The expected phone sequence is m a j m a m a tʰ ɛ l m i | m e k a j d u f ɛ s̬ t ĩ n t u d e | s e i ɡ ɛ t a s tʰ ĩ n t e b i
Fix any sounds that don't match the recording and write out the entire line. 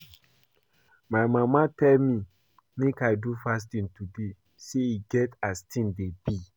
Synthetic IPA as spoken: m a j m a m a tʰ ɛ l m i | m e k a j d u f a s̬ t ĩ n t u d e | s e i ɡ ɛ t a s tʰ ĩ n d e b i